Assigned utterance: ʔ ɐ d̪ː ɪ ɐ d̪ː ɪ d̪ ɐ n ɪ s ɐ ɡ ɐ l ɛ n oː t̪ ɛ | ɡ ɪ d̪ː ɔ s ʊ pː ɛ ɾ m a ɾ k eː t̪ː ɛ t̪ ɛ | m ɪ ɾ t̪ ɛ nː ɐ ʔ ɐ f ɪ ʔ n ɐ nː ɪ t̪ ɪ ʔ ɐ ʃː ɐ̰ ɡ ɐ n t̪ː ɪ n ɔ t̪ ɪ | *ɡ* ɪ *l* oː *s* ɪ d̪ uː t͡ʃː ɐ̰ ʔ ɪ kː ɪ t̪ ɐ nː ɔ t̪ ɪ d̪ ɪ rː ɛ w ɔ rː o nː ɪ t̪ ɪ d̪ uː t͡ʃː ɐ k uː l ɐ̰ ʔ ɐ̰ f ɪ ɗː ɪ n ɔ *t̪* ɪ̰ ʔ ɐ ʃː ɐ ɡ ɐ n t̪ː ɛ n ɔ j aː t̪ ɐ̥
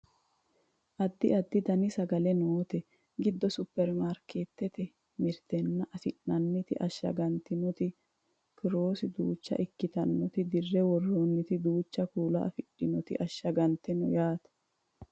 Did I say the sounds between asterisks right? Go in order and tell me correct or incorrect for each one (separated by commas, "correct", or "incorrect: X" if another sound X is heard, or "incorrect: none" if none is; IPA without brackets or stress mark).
incorrect: k, incorrect: ɾ, correct, correct